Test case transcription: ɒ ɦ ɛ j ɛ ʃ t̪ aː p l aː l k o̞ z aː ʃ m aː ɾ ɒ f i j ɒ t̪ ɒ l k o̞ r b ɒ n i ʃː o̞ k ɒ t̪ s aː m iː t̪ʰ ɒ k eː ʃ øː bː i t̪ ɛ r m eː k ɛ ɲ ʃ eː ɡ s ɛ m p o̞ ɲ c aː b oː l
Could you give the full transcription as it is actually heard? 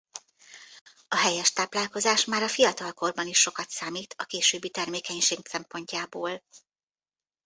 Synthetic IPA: ɒ ɦ ɛ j ɛ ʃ t̪ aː p l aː l k o̞ z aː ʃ m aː ɾ ɒ f i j ɒ t̪ ɒ l k o̞ r b ɒ n i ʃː o̞ k ɒ t̪ s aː m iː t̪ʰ ɒ k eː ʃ øː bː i t̪ ɛ r m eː k ɛ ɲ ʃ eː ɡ s ɛ m p o̞ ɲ c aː b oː l